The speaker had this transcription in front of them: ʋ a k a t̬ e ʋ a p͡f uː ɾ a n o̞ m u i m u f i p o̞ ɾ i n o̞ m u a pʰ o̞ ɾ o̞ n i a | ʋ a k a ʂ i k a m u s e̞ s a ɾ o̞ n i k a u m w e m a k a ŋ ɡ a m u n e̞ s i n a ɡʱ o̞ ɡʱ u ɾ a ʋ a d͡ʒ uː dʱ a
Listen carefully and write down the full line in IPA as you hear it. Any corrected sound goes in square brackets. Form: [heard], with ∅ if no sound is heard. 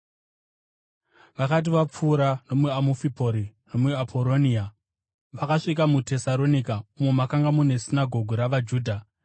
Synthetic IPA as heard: ʋ a k a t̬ [i] ʋ a p͡f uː ɾ a n o̞ m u [a] m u f i p o̞ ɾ i n o̞ m u a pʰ o̞ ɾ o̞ n i a | ʋ a k a ʂ i k a m u [t] e̞ s a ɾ o̞ n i k a u m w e m a k a ŋ ɡ a m u n e̞ s i n a ɡʱ o̞ ɡʱ u ɾ a ʋ a d͡ʒ uː dʱ a

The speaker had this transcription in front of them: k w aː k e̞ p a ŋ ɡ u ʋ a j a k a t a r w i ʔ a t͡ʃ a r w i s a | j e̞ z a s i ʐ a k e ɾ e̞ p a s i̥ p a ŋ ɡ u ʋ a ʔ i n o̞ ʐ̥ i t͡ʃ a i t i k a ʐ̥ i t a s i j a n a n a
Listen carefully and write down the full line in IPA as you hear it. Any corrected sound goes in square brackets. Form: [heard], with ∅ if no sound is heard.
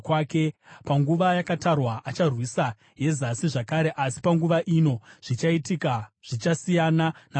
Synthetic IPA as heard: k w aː k e̞ p a ŋ ɡ u ʋ a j a k a t a r w [a] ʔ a t͡ʃ a r w i s a | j e̞ z a s i ʐ a k [a] ɾ e̞ [ʔ] a s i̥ p a ŋ ɡ u ʋ a ʔ i n o̞ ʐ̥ i t͡ʃ a i t i k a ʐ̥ i [t͡ʃ] a s i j a n a n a

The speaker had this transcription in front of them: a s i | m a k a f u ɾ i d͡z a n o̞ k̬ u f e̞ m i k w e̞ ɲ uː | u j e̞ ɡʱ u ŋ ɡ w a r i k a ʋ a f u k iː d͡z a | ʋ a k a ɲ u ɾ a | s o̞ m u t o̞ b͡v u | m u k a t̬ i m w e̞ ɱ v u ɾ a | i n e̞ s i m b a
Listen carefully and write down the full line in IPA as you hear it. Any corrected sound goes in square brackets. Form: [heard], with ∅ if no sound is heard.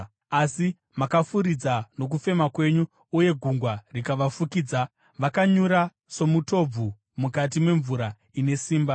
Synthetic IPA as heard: a s i | m a k a f u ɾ i d͡z a n o̞ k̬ u f e̞ m [a] k w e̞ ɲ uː | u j e̞ ɡʱ u ŋ ɡ w a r i k a ʋ a f u k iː d͡z a | ʋ a k a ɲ u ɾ a | s o̞ m u t o̞ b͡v u | m u k a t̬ i m w e̞ ɱ v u ɾ a | i n e̞ s [iː] m b a

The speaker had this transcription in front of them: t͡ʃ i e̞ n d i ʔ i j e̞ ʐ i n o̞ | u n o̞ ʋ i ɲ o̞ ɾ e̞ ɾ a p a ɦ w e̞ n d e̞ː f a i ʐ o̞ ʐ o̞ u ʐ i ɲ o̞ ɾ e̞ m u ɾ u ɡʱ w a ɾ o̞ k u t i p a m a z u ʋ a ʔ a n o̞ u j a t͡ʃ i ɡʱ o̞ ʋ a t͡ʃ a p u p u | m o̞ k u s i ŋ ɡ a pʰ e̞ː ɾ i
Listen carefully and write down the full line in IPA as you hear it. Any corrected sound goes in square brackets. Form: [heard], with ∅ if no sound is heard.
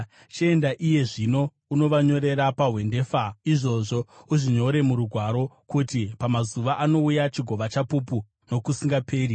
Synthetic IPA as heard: t͡ʃ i e̞ n d [a] ʔ i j e̞ ʐ i n o̞ | u n o̞ ʋ [a] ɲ o̞ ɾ e̞ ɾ a p a ɦ w e̞ n d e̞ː f a i ʐ o̞ ʐ o̞ u ʐ i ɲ o̞ ɾ e̞ m u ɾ u ɡʱ w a ɾ o̞ k u t i p a m a z u ʋ a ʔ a n o̞ u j a t͡ʃ i ɡʱ o̞ ʋ a t͡ʃ a p u p u | [n] o̞ k u s i ŋ ɡ a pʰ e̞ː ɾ i

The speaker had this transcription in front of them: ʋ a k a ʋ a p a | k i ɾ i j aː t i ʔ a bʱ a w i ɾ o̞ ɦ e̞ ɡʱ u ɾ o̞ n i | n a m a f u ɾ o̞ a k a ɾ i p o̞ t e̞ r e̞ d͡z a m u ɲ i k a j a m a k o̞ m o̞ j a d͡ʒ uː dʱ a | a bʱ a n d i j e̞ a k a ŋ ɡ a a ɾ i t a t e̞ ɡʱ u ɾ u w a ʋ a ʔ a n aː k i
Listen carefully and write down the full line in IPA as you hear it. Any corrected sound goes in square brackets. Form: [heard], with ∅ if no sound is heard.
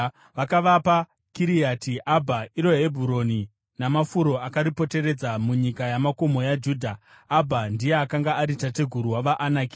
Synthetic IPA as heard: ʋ a k a ʋ a p a | k i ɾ i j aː t i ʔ a bʱ a [∅] i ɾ o̞ ɦ e̞ [bʱ] u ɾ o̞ n i | n a m a f u ɾ o̞ a k a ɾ i p o̞ t e̞ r e̞ d͡z a m u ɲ i k a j a m a k o̞ m o̞ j a d͡ʒ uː dʱ a | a bʱ a n d i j e̞ a k a ŋ ɡ a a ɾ i t a t e̞ ɡʱ u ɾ u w a ʋ a ʔ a n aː k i

